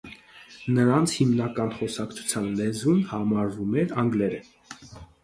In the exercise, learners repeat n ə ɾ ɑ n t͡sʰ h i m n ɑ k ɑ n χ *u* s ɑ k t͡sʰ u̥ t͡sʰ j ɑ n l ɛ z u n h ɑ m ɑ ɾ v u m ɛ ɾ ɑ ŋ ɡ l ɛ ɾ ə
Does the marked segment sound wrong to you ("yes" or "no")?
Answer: yes